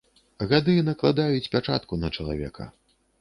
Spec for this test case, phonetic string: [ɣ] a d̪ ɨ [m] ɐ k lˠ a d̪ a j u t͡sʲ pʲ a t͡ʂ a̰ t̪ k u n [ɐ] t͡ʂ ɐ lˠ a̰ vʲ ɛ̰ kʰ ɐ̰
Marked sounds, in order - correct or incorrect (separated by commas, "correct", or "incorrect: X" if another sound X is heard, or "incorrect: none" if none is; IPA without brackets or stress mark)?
correct, incorrect: n, correct